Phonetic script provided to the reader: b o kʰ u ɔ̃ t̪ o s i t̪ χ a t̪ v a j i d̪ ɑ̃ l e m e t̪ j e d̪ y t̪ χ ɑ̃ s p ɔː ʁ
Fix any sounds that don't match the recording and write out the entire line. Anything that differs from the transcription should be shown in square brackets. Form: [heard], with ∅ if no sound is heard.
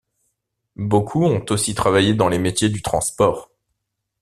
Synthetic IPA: b o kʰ u ɔ̃ t̪ o s i t̪ χ a [∅] v a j [e] d̪ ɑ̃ l e m e t̪ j e d̪ y t̪ χ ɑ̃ s p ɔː ʁ